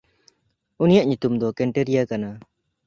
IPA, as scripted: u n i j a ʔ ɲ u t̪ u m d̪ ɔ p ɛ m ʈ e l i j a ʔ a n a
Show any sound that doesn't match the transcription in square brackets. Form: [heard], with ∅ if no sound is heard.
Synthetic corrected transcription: u n i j a ʔ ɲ u t̪ u m d̪ ɔ [k] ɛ [ɳ] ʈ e [ɾ] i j a [k] a n a